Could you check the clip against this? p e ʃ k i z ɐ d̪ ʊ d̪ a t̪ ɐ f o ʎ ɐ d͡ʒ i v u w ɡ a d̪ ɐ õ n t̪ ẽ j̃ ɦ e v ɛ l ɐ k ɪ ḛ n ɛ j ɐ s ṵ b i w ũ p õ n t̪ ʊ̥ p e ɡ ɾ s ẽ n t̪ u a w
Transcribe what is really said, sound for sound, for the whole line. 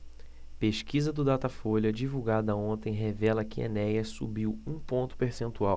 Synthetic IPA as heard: p e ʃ k i z ɐ d̪ ʊ d̪ a t̪ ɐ f o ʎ ɐ d͡ʒ i v u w ɡ a d̪ ɐ õ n t̪ ẽ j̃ ɦ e v ɛ l ɐ k ɪ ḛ n ɛ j ɐ s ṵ b i w ũ p õ n t̪ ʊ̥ p e ɾ s ẽ n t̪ u a w